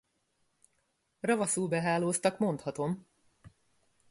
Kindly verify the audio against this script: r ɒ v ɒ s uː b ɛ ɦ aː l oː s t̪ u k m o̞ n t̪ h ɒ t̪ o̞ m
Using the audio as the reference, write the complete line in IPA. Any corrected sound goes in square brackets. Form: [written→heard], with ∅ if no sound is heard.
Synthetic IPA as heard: r ɒ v ɒ s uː b ɛ ɦ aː l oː s t̪ [u→ɒ] k m o̞ n t̪ h ɒ t̪ o̞ m